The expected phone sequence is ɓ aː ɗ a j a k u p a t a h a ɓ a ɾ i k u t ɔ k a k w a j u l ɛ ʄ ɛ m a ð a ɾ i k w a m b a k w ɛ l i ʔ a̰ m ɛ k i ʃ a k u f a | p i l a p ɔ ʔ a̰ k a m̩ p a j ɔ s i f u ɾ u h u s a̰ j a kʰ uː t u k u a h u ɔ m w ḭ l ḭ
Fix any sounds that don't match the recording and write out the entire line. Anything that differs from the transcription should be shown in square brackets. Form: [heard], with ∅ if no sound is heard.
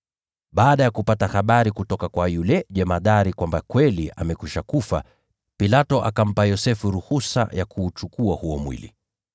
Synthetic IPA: ɓ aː ɗ a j a k u p a t a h a ɓ a ɾ i k u t ɔ k a k w a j u l ɛ ʄ ɛ m a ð a ɾ i k w a m b a k w ɛ l i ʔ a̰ m ɛ k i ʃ a k u f a | p i l a [t] ɔ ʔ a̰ k a m̩ p a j ɔ s [ɛ] f u ɾ u h u s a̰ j a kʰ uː [t͡ʃ] u k u a h u ɔ m w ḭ l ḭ